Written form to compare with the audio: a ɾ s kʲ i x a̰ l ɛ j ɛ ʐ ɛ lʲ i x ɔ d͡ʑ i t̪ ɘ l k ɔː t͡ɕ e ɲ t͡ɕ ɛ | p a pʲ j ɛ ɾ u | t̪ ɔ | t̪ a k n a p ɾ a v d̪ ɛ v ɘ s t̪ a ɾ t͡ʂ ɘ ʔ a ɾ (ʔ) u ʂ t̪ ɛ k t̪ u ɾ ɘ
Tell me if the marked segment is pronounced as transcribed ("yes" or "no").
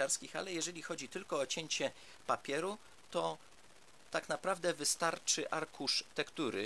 no